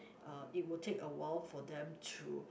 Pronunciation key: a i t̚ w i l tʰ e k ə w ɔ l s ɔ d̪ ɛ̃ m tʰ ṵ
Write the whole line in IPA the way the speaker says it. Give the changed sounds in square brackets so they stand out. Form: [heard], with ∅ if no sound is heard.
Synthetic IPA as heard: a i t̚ w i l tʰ e k ə w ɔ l [f] ɔ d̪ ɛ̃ m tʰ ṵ